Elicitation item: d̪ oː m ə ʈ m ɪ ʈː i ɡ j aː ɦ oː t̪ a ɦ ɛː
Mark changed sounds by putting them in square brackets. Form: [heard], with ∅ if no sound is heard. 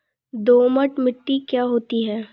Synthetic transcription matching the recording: d̪ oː m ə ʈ m ɪ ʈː i [k] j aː ɦ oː t̪ [i] ɦ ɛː